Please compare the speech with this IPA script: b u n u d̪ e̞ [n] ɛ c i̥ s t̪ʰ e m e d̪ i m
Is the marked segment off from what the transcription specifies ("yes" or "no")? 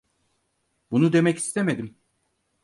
yes